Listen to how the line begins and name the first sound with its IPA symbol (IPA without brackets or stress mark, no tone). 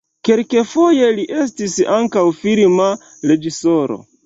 k